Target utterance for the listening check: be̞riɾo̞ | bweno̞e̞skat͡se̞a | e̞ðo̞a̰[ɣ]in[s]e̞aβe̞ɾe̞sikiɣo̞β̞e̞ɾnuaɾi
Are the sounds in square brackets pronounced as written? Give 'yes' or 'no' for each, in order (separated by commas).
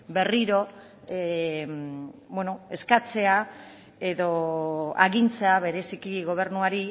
yes, no